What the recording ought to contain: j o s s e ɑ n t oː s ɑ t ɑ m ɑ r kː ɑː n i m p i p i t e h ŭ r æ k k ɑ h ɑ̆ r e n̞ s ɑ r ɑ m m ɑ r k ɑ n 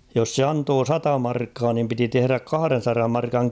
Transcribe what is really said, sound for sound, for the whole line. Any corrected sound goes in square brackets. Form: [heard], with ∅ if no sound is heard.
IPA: j o s s e ɑ n t oː s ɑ t ɑ m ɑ r kː ɑː n i m p i [t] i t e h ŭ r æ k k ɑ h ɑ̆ r e n̞ s ɑ r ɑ m m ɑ r k ɑ [ŋ]